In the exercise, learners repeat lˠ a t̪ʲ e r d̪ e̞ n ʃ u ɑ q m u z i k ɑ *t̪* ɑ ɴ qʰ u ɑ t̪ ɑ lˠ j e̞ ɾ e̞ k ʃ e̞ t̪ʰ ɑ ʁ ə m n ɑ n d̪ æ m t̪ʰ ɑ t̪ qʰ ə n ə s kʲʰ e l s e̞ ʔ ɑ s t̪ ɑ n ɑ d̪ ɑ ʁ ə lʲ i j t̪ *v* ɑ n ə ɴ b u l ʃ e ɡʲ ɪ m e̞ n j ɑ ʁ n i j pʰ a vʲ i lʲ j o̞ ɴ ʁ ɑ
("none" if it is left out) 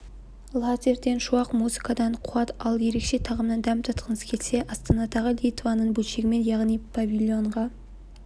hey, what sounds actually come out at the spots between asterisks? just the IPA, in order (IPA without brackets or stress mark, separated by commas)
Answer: d̪, v